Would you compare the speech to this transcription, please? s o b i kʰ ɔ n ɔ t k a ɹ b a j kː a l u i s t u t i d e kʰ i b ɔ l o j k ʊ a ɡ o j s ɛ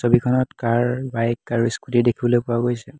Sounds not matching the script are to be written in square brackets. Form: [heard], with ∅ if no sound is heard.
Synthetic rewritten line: s o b i kʰ ɔ n ɔ t k a ɹ b a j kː a [ɹ] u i s [k] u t i d e kʰ i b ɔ l o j [p] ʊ a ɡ o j s ɛ

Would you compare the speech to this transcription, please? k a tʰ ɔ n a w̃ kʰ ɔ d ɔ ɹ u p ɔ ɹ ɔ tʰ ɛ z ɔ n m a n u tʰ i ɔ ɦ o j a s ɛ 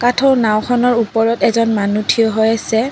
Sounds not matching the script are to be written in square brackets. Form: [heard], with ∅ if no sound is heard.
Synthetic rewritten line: k a tʰ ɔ n a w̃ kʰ ɔ [n] ɔ ɹ u p ɔ ɹ ɔ [t] ɛ z ɔ n m a n u tʰ i ɔ ɦ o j a s ɛ

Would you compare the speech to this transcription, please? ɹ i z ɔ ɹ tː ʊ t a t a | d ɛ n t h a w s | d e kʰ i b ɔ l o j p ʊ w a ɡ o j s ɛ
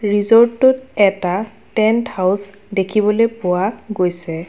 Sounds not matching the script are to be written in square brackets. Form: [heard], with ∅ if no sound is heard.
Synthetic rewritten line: ɹ i z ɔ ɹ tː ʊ t [ɛ] t a | [t] ɛ n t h a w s | d e kʰ i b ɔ l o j p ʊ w a ɡ o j s ɛ

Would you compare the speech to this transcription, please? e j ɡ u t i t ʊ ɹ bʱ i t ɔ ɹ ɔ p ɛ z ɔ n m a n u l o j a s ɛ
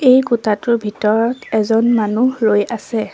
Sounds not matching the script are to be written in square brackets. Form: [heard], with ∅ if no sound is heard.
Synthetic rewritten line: e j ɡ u t [a] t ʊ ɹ bʱ i t ɔ ɹ ɔ [t] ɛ z ɔ n m a n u l o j a s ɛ

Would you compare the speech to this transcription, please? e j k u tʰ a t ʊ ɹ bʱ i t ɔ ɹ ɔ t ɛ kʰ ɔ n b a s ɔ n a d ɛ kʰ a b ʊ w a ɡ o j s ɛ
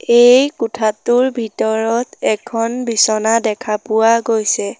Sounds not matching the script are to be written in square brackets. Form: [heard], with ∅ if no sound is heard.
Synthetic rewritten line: e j k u tʰ a t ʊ ɹ bʱ i t ɔ ɹ ɔ t ɛ kʰ ɔ n b [i] s ɔ n a d ɛ kʰ a [p] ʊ w a ɡ o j s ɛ

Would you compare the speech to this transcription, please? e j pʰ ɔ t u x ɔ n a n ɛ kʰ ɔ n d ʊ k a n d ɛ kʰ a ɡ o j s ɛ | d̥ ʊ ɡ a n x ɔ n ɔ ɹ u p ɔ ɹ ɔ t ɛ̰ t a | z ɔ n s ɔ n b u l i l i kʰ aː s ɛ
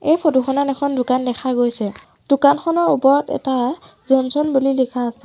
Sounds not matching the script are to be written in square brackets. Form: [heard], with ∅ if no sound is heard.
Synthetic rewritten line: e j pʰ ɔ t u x ɔ n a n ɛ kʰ ɔ n d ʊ k a n d ɛ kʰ a ɡ o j s ɛ | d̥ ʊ [k] a n x ɔ n ɔ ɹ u p ɔ ɹ ɔ t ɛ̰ t a | z ɔ n s ɔ n b u l i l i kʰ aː s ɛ

